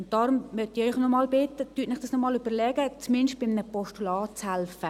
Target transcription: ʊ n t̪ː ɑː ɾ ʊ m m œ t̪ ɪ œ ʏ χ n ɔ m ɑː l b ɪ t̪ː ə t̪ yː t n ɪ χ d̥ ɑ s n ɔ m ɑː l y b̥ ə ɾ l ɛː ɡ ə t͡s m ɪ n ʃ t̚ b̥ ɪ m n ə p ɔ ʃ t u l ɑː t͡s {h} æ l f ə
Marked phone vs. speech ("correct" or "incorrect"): correct